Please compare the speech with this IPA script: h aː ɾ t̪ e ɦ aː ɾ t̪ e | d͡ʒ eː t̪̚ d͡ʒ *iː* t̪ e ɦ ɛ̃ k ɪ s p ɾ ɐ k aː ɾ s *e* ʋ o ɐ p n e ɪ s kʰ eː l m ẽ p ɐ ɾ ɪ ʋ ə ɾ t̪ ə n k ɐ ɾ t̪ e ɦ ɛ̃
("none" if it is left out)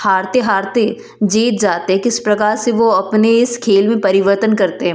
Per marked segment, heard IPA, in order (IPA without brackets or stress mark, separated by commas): aː, e